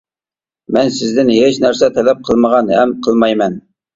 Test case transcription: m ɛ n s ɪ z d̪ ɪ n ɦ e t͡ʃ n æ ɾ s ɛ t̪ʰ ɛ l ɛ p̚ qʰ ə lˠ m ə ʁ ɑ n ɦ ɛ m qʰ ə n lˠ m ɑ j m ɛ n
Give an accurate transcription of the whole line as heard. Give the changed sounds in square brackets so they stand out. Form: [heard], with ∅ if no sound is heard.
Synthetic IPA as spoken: m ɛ n s ɪ z d̪ ɪ n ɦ e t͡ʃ n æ ɾ s ɛ t̪ʰ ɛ l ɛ p̚ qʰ ə lˠ m ə ʁ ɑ n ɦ ɛ m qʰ ə [∅] lˠ m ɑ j m ɛ n